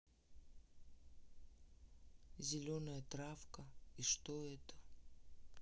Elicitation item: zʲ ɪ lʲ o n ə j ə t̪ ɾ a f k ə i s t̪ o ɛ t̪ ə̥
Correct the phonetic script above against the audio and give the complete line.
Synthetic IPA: zʲ ɪ lʲ o n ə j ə t̪ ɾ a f k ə i ʂ t̪ o ɛ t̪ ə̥